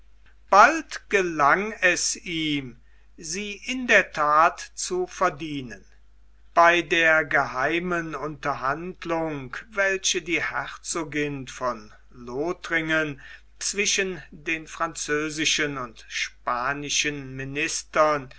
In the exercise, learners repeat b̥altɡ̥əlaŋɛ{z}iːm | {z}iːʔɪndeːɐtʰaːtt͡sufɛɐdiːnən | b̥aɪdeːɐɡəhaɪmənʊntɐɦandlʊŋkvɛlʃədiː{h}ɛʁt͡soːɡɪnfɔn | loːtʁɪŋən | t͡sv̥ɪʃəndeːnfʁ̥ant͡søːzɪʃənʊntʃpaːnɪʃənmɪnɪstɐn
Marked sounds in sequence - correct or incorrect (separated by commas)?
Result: incorrect, correct, correct